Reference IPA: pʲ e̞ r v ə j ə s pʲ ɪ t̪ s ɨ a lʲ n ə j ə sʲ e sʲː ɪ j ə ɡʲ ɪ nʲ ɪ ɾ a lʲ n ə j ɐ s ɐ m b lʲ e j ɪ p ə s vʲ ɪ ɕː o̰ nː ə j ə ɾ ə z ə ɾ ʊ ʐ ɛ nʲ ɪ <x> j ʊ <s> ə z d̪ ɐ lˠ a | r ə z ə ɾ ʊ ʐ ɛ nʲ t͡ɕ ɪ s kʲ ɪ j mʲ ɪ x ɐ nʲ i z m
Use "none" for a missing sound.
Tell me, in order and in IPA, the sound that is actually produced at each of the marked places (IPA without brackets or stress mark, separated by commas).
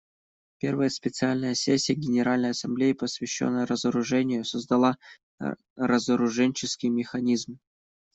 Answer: none, s